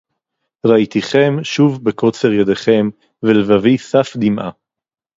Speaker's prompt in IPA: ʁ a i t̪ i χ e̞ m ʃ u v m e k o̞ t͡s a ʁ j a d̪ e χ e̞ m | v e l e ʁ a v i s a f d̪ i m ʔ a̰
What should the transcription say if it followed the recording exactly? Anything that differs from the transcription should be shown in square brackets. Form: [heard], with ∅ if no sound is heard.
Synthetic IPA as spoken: ʁ a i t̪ i χ e̞ m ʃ u v [b] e k o̞ t͡s [e] ʁ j a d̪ e χ e̞ m | v e l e [v] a v i s a f d̪ i m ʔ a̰